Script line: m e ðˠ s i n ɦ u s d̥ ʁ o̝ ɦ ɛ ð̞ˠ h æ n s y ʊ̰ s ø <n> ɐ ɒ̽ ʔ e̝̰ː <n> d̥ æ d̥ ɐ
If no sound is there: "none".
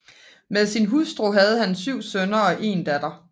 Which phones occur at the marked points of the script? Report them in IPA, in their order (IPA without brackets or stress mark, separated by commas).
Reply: n, n